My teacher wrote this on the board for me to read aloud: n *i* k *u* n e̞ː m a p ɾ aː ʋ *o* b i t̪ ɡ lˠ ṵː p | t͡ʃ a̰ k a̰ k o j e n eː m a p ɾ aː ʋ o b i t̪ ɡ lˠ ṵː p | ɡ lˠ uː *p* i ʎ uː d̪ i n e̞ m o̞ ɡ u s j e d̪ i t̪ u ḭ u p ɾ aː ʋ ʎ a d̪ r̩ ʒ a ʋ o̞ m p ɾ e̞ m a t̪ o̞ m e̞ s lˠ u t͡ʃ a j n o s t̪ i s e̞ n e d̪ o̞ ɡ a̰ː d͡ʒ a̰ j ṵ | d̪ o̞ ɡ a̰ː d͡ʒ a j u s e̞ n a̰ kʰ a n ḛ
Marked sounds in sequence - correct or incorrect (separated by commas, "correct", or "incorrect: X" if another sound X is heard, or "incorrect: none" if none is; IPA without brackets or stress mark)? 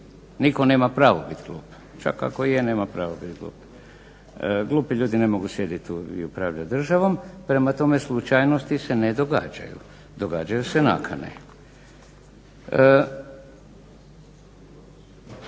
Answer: correct, incorrect: o, correct, correct